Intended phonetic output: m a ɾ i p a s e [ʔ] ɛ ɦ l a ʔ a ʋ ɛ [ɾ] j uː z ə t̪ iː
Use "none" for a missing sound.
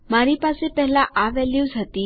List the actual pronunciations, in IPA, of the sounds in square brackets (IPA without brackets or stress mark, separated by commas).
p, l